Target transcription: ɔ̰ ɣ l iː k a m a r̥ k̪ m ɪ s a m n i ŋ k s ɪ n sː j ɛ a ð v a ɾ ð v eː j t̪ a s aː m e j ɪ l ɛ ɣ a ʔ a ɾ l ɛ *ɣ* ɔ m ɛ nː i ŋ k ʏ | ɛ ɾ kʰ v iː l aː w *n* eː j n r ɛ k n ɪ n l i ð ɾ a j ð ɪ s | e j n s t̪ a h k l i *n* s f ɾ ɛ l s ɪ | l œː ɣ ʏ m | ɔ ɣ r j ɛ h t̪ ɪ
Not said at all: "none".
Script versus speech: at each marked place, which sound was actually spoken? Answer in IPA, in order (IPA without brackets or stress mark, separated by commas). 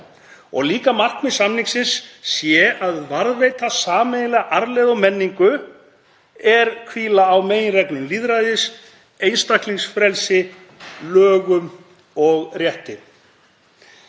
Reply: ð, m, ŋ